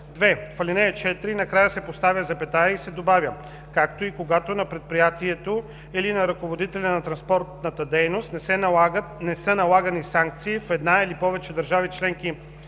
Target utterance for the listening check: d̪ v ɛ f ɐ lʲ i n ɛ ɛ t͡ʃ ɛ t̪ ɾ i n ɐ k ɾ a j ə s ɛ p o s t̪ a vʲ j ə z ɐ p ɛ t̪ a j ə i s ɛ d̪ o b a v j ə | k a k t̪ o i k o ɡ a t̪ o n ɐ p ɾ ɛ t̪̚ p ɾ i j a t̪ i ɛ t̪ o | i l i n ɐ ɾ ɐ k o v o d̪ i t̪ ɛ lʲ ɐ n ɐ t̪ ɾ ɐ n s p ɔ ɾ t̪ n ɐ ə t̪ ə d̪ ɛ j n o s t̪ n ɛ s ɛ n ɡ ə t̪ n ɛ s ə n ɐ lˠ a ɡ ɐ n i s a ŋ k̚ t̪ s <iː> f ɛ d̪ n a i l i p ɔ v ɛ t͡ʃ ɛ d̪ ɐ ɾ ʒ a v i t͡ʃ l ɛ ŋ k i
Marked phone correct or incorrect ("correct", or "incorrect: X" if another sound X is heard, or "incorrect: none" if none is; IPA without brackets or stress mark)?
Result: correct